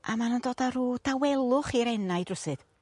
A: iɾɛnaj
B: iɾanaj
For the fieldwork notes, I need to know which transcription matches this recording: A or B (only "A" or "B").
A